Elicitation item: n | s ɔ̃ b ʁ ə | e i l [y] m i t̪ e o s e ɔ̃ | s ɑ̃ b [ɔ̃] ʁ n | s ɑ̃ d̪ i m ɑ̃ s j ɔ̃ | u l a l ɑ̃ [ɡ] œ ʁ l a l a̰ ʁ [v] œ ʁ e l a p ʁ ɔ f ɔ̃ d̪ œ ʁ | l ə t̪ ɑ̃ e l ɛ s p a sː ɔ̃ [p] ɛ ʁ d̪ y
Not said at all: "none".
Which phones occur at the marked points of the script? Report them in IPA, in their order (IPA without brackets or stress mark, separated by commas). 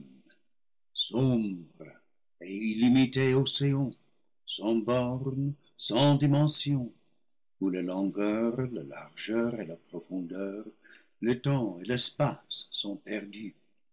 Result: i, ɔ, ɡ, ʒ, p